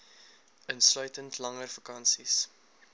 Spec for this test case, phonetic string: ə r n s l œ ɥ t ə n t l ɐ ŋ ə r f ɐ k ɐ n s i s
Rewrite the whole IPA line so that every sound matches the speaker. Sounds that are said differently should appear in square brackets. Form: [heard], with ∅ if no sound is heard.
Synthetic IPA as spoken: ə [∅] n s l œ ɥ t ə n t l ɐ ŋ ə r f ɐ k ɐ n s i s